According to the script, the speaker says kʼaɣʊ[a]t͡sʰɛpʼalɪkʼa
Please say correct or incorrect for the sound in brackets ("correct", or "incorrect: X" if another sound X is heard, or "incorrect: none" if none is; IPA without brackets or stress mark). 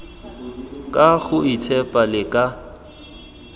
incorrect: i